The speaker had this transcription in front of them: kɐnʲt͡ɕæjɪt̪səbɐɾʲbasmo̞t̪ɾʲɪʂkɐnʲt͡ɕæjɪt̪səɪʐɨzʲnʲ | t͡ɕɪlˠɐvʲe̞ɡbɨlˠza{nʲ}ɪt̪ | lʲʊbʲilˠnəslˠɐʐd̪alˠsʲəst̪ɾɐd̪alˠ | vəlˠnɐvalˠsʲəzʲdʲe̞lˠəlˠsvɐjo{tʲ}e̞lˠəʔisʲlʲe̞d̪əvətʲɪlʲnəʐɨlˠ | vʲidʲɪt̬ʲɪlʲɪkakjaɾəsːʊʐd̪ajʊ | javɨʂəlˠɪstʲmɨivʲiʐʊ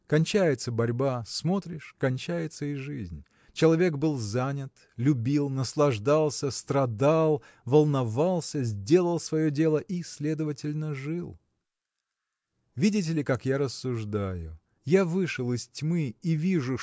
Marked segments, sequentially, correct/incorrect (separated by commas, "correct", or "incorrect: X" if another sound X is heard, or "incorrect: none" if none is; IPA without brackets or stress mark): correct, incorrect: dʲ